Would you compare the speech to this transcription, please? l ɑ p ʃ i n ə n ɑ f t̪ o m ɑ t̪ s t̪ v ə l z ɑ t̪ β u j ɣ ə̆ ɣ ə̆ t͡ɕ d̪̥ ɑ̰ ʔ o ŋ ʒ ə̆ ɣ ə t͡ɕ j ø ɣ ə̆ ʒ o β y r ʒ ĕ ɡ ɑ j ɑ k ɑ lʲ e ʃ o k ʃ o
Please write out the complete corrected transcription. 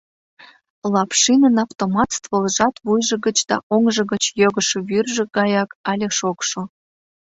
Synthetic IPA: l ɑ p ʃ i n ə n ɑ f t̪ o m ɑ t̪ s t̪ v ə l ʒ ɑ t̪ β u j ʒ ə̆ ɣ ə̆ t͡ɕ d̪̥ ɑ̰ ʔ o ŋ ʒ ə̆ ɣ ə t͡ɕ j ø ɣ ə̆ ʃ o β y r ʒ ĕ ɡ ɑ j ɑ k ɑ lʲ e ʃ o k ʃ o